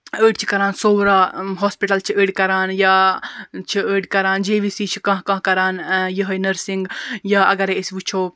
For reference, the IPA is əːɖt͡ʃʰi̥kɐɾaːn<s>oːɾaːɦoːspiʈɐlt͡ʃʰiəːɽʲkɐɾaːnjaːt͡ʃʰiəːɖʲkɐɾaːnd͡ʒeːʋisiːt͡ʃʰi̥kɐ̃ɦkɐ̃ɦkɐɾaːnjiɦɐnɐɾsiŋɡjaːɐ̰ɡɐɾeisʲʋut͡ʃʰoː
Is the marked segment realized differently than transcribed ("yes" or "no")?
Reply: no